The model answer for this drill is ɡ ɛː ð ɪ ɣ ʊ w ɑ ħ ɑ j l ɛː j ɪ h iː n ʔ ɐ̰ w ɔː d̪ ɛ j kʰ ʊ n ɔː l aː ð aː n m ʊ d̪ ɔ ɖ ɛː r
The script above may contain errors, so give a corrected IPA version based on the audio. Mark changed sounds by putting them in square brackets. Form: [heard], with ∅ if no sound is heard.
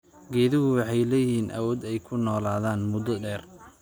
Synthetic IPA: ɡ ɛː ð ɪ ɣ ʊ w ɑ ħ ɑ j l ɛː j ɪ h iː n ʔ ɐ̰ w ɔː d̪ ɛ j kʰ ʊ n ɔː l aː ð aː n m ʊ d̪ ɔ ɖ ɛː r